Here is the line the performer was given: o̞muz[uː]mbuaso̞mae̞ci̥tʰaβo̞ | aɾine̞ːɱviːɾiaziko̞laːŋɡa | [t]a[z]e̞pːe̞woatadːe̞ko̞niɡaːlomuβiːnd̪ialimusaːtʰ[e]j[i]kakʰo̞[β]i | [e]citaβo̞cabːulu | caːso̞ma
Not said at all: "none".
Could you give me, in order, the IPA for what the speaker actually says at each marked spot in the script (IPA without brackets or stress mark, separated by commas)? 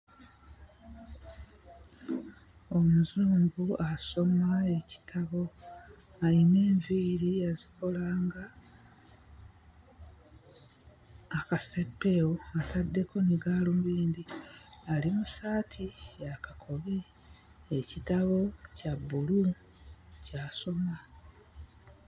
uː, k, s, i, a, β, e